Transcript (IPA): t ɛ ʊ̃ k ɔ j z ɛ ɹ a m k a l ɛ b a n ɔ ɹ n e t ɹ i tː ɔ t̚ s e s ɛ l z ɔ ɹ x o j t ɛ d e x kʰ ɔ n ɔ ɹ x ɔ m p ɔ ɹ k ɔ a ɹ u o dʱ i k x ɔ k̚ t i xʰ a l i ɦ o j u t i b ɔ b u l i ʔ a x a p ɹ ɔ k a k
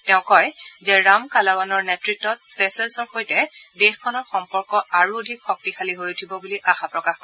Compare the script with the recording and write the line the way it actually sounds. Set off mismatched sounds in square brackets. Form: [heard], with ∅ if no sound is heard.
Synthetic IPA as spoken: t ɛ ʊ̃ k ɔ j z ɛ ɹ a m k a l [a] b a n ɔ ɹ n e t ɹ i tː ɔ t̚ s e s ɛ l [s] ɔ ɹ x o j t ɛ d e x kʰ ɔ n ɔ ɹ x ɔ m p ɔ ɹ k ɔ a ɹ u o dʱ i k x ɔ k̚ t i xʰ a l i ɦ o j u [tʰ] i b ɔ b u l i ʔ a x a p ɹ ɔ k a [x]